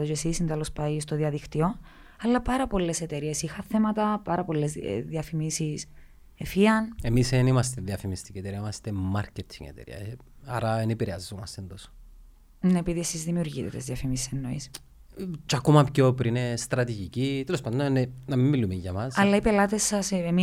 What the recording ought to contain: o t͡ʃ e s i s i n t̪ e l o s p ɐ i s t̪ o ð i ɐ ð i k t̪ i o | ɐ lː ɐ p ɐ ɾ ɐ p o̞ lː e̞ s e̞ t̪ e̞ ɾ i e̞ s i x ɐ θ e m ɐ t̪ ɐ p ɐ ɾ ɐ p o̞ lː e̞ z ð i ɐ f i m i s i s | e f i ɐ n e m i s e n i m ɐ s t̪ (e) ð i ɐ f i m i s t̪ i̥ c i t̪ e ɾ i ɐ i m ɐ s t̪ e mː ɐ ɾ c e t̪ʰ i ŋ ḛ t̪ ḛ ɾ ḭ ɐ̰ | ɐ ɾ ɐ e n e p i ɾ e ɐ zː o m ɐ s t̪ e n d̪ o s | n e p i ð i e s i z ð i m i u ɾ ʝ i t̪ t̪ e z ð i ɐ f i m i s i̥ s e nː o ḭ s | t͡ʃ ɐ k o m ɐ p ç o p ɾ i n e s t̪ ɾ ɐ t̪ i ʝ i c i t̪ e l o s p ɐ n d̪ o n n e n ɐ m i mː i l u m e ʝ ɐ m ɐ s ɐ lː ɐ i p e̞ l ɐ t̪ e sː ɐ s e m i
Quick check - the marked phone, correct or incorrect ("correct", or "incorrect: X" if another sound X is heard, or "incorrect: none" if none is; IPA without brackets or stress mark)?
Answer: correct